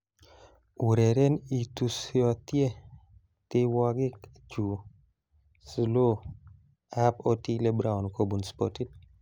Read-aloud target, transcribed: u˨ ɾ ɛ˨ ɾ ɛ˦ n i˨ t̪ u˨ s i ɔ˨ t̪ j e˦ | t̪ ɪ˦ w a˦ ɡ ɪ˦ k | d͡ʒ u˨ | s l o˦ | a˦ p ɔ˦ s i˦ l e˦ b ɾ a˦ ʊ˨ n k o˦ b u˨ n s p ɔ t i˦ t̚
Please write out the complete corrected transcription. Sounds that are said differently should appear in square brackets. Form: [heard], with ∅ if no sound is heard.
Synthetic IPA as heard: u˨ ɾ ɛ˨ ɾ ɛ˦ n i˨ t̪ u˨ s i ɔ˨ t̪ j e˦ | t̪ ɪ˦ w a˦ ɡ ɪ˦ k | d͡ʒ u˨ | s l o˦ | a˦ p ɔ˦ [t] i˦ l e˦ b ɾ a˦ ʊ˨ n k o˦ b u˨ n s p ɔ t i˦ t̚